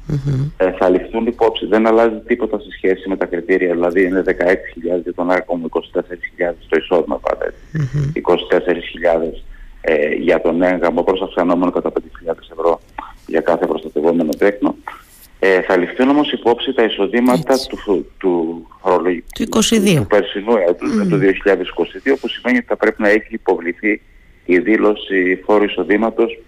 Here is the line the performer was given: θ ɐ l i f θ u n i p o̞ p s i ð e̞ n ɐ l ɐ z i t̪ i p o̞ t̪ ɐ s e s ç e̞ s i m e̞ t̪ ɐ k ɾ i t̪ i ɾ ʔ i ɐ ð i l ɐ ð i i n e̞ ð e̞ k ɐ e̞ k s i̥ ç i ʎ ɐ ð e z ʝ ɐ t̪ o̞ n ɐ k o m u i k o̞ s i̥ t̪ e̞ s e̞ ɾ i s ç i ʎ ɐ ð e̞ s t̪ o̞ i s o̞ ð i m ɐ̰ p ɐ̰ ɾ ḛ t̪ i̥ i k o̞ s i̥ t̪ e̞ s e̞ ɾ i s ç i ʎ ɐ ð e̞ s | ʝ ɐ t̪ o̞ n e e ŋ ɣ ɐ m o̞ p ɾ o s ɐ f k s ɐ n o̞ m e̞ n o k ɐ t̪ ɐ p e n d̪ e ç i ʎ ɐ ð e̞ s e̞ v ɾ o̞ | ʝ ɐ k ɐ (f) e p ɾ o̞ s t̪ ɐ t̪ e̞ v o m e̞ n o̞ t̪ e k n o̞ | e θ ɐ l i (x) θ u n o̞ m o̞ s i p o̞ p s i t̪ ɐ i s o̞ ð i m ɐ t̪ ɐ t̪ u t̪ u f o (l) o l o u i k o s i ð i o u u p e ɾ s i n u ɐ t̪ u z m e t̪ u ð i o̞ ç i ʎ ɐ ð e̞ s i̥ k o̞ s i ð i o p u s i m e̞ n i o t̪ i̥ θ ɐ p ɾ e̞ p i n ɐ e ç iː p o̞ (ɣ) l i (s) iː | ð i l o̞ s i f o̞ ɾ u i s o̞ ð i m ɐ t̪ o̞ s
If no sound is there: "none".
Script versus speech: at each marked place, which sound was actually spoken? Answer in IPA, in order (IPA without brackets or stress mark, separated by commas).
θ, f, ɾ, v, θ